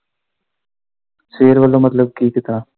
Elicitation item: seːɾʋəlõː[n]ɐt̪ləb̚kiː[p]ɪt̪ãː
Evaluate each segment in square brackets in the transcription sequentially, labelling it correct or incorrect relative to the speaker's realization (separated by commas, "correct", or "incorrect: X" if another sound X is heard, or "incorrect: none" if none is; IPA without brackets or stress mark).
incorrect: m, incorrect: k